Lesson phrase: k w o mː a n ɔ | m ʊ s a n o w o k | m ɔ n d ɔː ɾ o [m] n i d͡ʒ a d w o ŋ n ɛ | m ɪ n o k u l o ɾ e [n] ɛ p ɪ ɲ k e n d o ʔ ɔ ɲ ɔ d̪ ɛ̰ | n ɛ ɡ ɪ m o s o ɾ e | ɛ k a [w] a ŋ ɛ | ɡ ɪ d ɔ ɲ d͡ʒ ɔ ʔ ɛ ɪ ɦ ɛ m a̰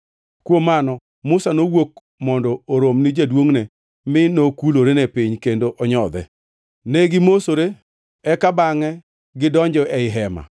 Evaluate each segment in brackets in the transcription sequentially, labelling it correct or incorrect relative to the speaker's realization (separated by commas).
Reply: correct, correct, incorrect